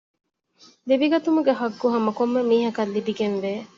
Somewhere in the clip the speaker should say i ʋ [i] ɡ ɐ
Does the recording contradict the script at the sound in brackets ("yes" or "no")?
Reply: no